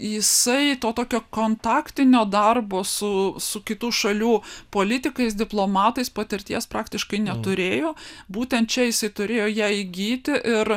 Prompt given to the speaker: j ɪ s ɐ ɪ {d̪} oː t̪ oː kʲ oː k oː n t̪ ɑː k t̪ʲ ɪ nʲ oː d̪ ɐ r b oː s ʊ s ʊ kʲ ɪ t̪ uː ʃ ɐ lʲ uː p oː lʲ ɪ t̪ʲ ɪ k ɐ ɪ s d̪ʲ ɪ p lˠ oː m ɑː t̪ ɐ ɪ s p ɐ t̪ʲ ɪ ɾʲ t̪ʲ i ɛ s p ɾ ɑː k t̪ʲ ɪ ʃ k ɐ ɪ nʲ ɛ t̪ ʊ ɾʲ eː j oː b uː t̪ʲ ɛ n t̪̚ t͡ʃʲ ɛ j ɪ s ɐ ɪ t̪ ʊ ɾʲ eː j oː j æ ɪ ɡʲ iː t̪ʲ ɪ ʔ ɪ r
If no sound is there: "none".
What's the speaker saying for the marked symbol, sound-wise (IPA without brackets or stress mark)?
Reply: t̪